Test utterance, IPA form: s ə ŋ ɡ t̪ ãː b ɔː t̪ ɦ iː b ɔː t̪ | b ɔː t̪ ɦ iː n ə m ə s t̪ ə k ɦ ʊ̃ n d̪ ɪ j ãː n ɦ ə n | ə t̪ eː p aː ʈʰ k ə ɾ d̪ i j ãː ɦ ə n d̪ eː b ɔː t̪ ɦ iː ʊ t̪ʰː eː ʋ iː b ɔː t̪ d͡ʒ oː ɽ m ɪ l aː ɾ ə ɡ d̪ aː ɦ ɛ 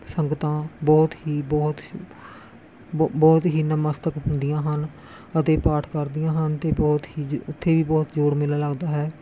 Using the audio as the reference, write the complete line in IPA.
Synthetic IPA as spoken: s ə ŋ ɡ t̪ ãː b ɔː t̪ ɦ iː b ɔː t̪ | b ɔː t̪ ɦ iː n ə m ə s t̪ ə k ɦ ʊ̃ n d̪ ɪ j ãː ɦ ə n | ə t̪ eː p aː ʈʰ k ə ɾ d̪ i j ãː ɦ ə n t̪ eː b ɔː t̪ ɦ iː ʊ t̪ʰː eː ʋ iː b ɔː t̪ d͡ʒ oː ɽ m ɪ l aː l ə ɡ d̪ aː ɦ ɛː